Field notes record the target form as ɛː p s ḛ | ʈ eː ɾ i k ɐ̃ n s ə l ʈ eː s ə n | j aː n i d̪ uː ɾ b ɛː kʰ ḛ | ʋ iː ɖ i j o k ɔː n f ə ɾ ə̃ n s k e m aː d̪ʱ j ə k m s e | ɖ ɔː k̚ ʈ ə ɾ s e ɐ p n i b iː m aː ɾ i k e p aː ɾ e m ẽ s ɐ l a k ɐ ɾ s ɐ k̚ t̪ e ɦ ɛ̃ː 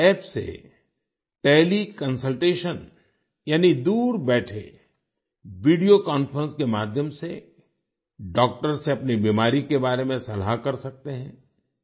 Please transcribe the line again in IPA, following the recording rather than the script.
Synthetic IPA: ɛː p s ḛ | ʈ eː l i k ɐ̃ n s ə l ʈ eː ʃ ə n | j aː n i d̪ uː ɾ b ɛː ʈʰ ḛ | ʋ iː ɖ i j o k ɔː n f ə ɾ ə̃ n s k e m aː d̪ʱ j ə m s e | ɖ ɔː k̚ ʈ ə ɾ s e ɐ p n i b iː m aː ɾ i k e b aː ɾ e m ẽ s ɐ l a k ɐ ɾ s ɐ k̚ t̪ e ɦ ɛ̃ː